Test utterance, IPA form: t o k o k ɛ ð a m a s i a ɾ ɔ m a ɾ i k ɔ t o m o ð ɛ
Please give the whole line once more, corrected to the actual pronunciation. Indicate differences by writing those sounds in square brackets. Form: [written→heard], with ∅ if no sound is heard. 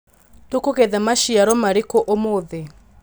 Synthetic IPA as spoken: t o k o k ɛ ð a m a [s→ʃ] i a ɾ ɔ m a ɾ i k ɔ [t→ʔ] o m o ð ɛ